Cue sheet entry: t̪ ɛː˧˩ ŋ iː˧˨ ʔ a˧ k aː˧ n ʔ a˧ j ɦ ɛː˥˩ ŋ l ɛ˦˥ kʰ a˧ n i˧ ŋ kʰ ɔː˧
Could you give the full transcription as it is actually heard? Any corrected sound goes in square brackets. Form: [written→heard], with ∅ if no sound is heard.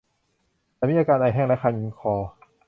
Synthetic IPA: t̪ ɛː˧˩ [ŋ→m] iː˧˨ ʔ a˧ k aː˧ n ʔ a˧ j ɦ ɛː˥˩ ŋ l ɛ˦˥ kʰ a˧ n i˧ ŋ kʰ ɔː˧

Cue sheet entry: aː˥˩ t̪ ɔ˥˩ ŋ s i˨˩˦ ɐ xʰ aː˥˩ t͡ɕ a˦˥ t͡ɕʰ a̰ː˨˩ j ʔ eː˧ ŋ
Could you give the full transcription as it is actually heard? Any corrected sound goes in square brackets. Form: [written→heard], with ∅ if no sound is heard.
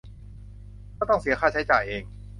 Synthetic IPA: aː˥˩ t̪ ɔ˥˩ ŋ s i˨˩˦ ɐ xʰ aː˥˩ [t͡ɕ→t͡ɕʰ] a˦˥ [t͡ɕʰ→t͡ɕ] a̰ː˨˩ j ʔ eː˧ ŋ

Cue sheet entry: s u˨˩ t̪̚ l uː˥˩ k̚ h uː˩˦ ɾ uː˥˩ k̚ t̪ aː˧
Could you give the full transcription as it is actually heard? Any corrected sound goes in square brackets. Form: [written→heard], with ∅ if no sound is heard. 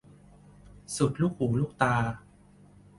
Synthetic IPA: s u˨˩ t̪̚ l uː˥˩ k̚ h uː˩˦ [ɾ→l] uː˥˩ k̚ t̪ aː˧

